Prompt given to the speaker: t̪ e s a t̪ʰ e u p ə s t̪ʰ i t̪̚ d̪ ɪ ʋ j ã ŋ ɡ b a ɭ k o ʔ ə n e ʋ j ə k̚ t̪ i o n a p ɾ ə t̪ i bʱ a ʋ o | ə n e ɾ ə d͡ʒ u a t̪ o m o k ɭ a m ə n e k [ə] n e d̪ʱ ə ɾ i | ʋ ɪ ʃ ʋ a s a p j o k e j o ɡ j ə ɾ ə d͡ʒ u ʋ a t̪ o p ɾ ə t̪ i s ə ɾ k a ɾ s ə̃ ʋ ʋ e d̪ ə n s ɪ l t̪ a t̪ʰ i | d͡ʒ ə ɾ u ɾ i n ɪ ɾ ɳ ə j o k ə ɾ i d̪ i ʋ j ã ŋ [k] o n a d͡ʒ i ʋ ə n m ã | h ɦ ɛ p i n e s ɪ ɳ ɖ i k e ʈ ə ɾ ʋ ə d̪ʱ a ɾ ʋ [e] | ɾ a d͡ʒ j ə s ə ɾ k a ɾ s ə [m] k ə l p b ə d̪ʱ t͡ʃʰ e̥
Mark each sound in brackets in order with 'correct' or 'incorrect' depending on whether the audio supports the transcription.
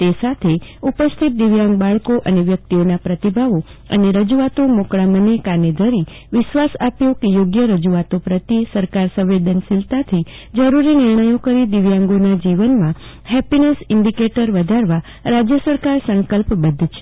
incorrect, incorrect, incorrect, incorrect

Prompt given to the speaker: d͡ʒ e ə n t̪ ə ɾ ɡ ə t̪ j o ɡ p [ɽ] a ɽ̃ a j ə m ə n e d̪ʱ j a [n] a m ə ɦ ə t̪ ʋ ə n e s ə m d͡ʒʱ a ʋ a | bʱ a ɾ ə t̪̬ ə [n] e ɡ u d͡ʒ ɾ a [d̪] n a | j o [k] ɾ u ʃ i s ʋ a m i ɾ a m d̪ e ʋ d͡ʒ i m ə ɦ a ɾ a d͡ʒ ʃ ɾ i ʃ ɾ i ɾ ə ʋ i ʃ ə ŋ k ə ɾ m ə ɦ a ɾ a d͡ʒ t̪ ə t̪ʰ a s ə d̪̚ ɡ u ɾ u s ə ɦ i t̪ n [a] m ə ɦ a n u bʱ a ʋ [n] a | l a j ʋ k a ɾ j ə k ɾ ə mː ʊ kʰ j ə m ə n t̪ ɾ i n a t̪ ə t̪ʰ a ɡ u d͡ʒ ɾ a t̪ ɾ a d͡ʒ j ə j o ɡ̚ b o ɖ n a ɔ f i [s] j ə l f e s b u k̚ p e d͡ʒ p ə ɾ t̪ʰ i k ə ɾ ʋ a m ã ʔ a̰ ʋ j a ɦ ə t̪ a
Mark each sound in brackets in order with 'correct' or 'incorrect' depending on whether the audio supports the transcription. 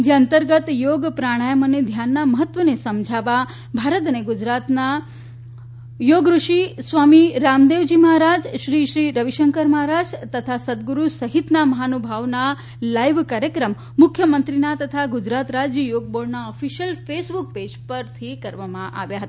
incorrect, incorrect, correct, incorrect, incorrect, correct, correct, incorrect

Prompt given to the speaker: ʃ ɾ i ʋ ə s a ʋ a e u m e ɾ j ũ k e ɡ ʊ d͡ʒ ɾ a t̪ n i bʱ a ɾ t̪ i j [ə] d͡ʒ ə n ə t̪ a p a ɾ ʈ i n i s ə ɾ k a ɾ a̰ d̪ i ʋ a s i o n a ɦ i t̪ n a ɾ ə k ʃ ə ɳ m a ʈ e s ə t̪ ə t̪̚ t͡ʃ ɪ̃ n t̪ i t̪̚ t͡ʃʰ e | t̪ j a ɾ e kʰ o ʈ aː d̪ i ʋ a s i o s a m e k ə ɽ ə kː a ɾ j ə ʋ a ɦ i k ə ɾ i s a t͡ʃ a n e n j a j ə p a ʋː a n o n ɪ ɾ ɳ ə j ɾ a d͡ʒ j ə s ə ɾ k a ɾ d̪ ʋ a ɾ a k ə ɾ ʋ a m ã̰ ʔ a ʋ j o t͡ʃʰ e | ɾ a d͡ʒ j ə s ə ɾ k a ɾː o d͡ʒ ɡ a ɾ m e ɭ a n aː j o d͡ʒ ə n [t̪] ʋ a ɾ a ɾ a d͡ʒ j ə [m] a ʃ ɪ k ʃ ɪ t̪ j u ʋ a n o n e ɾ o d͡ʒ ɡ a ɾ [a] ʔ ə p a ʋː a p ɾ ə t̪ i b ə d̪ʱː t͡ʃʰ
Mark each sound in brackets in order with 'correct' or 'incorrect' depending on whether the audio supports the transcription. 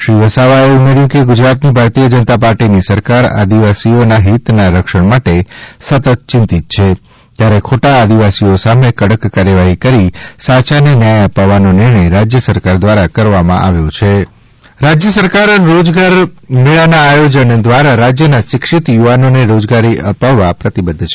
correct, incorrect, incorrect, incorrect

